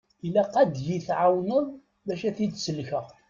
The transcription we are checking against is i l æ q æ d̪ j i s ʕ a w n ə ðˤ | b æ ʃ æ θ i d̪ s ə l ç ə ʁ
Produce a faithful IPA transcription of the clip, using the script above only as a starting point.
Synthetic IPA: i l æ q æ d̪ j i θ ʕ a w n ə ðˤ | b æ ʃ æ θ i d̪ s ə l ç ə ʁ